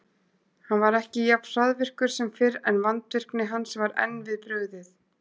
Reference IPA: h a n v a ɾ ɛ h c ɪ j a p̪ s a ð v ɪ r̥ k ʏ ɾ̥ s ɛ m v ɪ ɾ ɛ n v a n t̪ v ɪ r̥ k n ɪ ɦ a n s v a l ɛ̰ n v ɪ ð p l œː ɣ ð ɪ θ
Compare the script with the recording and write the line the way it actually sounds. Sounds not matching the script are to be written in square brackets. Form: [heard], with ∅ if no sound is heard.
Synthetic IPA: h a n v a ɾ ɛ h c ɪ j a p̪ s a ð v ɪ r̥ k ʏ ɾ̥ s ɛ m [f] ɪ ɾ ɛ n v a n t̪ v ɪ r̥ k n ɪ ɦ a n s v a [ɾ] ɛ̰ n v ɪ ð p [ɾ] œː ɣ ð ɪ θ